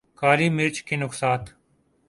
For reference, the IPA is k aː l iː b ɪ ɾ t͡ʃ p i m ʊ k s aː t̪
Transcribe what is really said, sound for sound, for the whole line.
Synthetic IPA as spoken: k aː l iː m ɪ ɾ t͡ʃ k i n ʊ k s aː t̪